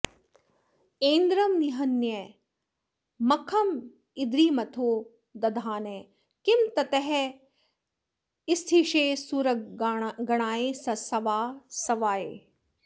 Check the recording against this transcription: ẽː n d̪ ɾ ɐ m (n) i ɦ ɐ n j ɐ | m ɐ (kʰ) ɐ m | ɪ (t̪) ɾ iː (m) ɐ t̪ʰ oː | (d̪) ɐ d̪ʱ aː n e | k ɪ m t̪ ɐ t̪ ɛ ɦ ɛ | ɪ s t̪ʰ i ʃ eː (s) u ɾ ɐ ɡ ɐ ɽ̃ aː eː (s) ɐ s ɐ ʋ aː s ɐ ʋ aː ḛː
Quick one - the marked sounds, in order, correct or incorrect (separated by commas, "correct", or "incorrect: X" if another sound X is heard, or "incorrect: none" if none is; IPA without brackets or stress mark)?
correct, correct, incorrect: d̪, correct, correct, correct, correct